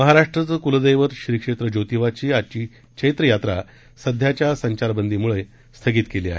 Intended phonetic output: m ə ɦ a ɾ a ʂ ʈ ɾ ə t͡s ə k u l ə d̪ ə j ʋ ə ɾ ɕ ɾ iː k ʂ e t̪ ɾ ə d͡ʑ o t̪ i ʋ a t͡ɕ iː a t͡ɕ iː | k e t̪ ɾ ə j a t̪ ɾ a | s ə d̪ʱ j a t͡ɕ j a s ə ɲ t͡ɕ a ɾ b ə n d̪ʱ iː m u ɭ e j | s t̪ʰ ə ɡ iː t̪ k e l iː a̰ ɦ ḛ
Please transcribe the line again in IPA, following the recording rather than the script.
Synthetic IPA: m ə ɦ a ɾ a ʂ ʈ ɾ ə t͡s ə k u l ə d̪ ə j ʋ ə ɾ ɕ ɾ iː k ʂ e t̪ ɾ ə d͡ʑ o t̪ i ʋ a t͡ɕ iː a t͡ɕ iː | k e t̪ ɾ ə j a t̪ ɾ a | s ə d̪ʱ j a t͡ɕ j a s ə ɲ t͡ɕ a ɾ b ə n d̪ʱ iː m u ɭ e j | s t̪ʰ ə ɡ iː t̪ k e l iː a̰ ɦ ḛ